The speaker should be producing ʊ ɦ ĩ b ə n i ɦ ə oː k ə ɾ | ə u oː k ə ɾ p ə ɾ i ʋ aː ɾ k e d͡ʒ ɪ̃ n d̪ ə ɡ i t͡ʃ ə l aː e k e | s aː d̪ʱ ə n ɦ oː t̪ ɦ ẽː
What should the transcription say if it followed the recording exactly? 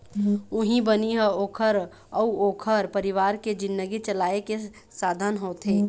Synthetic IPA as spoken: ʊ ɦ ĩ b ə n i ɦ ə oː kʰ ə ɾ | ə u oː kʰ ə ɾ p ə ɾ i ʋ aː ɾ k e d͡ʒ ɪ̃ n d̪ ə ɡ i t͡ʃ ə l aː e k e | s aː d̪ʱ ə n ɦ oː t̪ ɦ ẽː